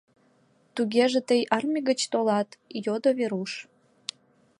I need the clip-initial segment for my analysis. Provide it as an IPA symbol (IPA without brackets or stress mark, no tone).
t̪